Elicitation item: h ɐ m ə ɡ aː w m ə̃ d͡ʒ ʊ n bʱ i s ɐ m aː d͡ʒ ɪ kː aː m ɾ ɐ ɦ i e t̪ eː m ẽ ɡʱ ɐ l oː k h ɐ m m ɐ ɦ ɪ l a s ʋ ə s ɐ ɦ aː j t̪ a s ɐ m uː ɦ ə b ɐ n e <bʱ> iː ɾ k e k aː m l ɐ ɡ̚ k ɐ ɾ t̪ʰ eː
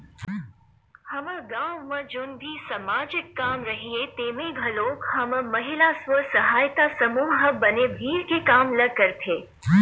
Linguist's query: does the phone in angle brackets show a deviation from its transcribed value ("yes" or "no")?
no